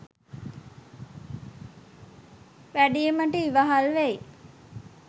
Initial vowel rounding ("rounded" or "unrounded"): unrounded